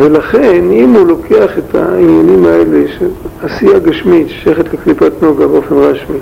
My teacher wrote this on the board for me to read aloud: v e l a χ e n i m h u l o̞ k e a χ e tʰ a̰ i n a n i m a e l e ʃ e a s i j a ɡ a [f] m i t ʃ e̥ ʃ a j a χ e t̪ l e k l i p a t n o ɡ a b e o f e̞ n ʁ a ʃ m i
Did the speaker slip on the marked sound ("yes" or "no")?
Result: yes